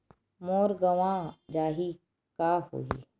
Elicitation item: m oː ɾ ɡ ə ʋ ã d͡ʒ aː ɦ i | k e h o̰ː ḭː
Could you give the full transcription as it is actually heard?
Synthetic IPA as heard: m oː ɾ ɡ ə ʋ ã d͡ʒ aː ɦ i | k a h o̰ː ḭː